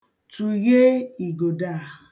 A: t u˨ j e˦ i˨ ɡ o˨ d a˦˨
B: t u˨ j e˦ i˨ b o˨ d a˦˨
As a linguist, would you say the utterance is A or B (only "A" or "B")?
A